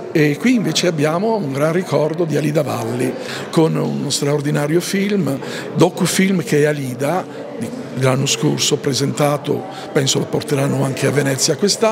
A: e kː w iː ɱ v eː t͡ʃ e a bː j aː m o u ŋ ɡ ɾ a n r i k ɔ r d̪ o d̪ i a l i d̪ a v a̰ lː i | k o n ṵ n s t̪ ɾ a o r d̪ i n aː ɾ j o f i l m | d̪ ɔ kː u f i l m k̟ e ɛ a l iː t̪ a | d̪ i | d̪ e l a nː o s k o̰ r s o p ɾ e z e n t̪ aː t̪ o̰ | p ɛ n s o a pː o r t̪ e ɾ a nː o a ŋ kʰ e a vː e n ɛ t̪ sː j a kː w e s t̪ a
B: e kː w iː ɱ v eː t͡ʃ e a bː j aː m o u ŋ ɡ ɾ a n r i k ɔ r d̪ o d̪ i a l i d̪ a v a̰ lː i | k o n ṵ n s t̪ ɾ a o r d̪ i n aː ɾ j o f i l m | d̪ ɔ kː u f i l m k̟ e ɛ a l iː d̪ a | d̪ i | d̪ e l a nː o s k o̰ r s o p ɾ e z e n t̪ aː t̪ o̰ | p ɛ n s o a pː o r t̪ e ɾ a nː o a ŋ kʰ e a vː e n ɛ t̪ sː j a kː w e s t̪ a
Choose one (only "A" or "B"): B